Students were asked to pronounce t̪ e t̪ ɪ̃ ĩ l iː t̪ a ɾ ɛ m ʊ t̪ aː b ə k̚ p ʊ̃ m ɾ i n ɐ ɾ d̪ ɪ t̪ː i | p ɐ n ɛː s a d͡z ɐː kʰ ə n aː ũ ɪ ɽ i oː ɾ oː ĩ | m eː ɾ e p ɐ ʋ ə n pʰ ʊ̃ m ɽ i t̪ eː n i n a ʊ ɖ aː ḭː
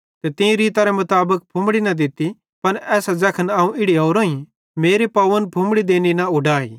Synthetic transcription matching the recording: t̪ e t̪ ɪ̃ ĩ ɾ iː t̪ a ɾ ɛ m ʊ t̪ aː b ə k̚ pʰ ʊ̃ m ɽ i n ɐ d̪ ɪ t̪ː i | p ɐ n ɛː s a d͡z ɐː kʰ ə n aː ũ ɪ ɽ i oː ɾ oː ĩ | m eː ɾ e p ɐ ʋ ə n pʰ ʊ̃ m ɽ i d̪ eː n i n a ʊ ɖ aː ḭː